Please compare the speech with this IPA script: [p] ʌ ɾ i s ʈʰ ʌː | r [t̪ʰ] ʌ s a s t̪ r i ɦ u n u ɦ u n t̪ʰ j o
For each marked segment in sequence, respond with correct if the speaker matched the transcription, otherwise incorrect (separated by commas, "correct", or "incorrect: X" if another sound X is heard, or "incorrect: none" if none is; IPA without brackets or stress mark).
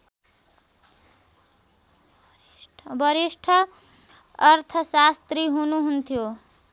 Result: incorrect: b, correct